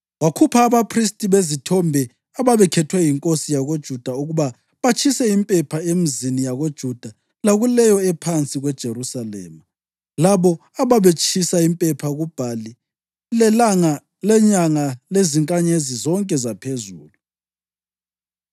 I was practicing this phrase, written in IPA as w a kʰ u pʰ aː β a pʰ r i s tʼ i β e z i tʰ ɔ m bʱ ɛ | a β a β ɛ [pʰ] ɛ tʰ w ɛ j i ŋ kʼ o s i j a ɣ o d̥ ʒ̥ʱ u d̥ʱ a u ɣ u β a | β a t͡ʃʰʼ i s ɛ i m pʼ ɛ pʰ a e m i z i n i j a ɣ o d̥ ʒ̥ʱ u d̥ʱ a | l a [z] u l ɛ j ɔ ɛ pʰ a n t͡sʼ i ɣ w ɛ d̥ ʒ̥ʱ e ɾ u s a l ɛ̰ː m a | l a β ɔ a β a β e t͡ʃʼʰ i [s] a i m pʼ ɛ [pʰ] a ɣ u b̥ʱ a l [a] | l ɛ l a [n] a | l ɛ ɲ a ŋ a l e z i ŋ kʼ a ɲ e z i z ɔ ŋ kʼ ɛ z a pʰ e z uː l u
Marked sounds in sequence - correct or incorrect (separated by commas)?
incorrect, incorrect, correct, correct, incorrect, incorrect